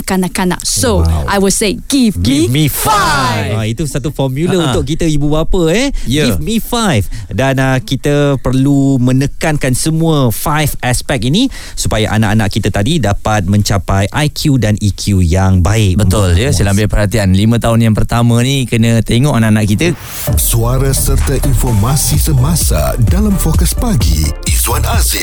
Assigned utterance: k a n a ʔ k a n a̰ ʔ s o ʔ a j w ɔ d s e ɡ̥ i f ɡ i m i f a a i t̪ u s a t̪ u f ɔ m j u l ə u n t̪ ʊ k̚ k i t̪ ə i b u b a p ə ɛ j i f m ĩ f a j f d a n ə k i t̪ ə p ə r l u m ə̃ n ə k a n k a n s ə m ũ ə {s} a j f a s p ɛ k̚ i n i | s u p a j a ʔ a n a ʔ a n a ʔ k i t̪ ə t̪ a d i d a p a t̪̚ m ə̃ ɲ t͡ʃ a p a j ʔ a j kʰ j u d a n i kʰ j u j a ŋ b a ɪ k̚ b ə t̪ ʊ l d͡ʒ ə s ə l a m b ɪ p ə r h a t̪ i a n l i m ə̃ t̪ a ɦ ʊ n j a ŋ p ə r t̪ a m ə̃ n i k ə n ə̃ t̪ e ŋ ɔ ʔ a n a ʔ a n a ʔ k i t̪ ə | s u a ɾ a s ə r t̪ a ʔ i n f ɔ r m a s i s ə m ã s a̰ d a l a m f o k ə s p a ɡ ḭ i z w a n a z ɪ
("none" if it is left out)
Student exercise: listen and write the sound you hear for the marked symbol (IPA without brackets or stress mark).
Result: f